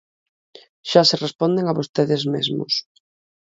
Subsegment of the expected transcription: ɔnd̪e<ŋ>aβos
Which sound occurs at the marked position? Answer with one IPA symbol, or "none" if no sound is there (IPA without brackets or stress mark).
ŋ